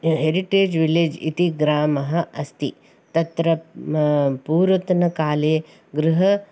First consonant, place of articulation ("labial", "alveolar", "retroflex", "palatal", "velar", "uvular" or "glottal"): glottal